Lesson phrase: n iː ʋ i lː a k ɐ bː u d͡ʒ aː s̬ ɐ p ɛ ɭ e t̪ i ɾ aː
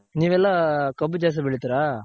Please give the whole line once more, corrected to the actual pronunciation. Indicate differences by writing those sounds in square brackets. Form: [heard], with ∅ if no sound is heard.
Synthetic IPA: n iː ʋ [ɛ] lː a k ɐ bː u d͡ʒ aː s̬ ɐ [b] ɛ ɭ [i] t̪ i ɾ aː